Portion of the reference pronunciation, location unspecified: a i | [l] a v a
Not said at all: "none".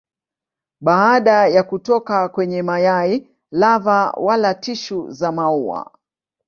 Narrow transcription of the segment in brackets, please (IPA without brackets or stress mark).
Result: l